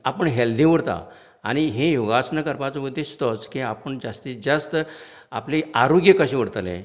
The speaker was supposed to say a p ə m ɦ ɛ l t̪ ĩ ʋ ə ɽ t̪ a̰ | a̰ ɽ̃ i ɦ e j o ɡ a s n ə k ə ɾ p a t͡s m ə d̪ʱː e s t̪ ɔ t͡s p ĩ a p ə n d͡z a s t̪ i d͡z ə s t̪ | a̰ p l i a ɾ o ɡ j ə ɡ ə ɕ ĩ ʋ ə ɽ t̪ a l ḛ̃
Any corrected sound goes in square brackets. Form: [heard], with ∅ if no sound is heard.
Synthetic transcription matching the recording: a p ə [ɳ] ɦ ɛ l [d̪] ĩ ʋ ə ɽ t̪ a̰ | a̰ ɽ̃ i ɦ e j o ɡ a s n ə k ə ɾ p a t͡s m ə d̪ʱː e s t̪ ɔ t͡s [k] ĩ a p ə [ɳ] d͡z a s t̪ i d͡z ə s t̪ | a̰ p l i a ɾ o ɡ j ə [k] ə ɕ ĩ ʋ ə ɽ t̪ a l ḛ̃